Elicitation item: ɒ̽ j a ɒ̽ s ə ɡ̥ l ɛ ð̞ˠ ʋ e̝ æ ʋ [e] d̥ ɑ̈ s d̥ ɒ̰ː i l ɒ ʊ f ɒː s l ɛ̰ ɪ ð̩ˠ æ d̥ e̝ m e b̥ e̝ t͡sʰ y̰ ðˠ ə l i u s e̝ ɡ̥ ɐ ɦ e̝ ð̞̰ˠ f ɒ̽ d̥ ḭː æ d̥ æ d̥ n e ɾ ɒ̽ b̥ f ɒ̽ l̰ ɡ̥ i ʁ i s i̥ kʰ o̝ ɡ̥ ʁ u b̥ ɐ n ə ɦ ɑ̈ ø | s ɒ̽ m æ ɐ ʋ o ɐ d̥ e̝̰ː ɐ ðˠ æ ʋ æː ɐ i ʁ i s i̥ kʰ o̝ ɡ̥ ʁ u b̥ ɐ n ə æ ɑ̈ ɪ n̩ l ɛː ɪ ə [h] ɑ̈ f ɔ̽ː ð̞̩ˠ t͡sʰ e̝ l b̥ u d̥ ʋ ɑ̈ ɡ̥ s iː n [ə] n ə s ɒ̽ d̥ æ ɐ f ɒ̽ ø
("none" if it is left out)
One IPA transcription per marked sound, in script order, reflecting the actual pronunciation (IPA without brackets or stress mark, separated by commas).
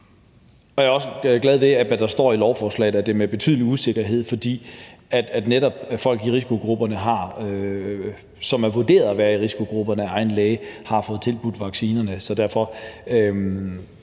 æ, h, ɐ